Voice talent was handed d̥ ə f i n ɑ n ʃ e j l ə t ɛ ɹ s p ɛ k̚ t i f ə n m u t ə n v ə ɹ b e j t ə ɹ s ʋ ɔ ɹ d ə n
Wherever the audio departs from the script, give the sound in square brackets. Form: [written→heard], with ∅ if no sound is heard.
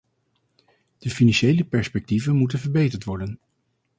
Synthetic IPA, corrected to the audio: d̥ ə f i n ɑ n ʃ e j l ə [t→p] ɛ ɹ s p ɛ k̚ t i [f→v] ə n m u t ə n v ə ɹ b e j t ə ɹ [s→t] ʋ ɔ ɹ d ə n